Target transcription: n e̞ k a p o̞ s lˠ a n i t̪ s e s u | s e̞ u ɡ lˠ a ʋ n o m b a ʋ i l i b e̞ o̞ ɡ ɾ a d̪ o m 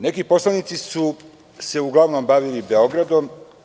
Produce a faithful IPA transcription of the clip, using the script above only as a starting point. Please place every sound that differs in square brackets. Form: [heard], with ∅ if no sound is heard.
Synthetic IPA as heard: n e̞ k [i] p o̞ s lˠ a n i t̪ s [i] s u | s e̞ u ɡ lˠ a ʋ n o m b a ʋ i l i b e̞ o̞ ɡ ɾ a d̪ o m